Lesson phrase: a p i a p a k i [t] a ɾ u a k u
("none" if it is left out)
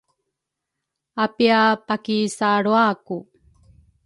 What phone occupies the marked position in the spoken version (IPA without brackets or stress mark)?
s